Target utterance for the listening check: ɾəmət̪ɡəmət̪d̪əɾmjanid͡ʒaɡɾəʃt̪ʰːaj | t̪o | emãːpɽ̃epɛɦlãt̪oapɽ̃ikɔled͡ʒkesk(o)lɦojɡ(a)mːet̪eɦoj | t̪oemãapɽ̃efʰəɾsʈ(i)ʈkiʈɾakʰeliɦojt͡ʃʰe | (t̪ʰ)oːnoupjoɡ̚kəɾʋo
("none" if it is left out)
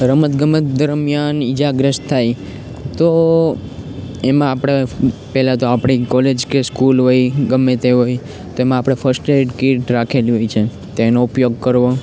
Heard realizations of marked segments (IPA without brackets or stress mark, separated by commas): u, ə, e, t̪